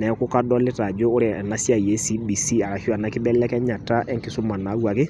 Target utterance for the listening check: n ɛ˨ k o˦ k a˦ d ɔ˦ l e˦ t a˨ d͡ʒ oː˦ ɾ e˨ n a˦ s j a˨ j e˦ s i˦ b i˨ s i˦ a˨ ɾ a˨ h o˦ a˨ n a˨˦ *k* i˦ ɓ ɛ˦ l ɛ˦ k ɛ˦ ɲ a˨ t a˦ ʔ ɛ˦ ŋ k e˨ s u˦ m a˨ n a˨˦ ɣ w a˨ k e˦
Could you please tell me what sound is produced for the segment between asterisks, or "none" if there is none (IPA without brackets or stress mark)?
k